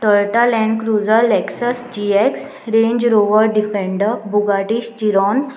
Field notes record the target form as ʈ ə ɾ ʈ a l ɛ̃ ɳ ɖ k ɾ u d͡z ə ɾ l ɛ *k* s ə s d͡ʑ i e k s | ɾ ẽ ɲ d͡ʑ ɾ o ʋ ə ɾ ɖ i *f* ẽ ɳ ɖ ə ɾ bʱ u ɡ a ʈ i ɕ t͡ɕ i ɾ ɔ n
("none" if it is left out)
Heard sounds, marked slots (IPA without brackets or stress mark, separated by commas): k, f